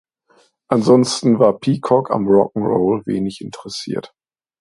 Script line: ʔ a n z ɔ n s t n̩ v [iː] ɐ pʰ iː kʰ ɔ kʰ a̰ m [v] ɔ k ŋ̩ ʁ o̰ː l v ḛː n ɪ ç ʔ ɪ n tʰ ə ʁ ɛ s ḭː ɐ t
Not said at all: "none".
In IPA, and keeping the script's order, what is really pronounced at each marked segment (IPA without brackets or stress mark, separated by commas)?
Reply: aː, ʁ